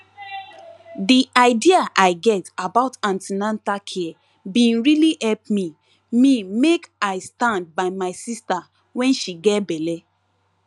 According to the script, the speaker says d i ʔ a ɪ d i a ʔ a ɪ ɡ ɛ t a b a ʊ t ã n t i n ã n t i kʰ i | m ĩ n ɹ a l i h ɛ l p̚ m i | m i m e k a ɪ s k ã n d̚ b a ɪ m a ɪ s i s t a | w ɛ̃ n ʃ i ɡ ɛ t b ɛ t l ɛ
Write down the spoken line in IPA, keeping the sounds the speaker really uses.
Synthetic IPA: d i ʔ a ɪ d i a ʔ a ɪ ɡ ɛ t a b a ʊ t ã n t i n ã n t a kʰ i | b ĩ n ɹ i l i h ɛ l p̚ m i | m i m e k a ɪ s t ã n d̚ b a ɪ m a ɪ s i s t a | w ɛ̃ n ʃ i ɡ ɛ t b ɛ l ɛ